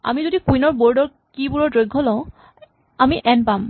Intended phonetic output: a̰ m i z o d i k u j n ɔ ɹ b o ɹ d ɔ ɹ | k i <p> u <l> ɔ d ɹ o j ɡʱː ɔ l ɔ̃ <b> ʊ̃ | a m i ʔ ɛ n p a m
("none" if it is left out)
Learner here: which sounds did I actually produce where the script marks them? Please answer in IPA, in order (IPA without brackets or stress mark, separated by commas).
b, ɹ, none